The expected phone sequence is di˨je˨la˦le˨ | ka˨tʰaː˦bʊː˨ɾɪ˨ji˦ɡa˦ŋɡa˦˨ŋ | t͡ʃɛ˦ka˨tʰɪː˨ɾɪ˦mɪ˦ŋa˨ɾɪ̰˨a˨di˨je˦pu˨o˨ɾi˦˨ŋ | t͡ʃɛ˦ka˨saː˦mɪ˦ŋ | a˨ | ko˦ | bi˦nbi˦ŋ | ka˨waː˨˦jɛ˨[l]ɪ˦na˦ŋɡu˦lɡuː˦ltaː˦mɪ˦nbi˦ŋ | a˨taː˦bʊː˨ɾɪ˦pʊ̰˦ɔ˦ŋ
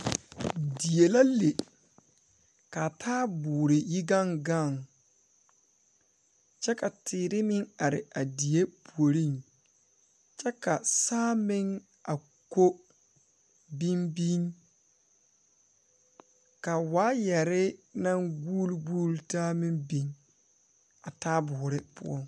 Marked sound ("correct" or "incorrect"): incorrect